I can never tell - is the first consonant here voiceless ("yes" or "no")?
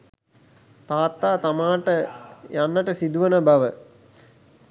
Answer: yes